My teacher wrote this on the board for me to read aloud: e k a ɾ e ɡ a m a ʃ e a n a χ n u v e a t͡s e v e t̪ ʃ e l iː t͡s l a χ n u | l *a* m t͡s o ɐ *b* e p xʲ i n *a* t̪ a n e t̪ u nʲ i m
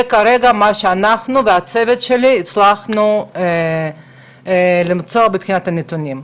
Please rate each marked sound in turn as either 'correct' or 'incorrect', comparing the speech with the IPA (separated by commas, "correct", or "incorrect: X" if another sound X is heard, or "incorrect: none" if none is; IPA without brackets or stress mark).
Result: incorrect: i, correct, correct